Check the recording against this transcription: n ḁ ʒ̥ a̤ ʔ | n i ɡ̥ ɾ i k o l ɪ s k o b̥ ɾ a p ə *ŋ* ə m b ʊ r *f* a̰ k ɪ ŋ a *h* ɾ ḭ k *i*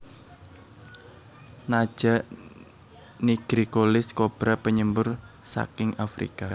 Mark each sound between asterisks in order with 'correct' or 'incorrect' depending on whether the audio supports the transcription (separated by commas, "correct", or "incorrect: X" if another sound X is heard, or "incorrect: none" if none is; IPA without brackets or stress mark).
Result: incorrect: ɲ, incorrect: s, incorrect: f, incorrect: a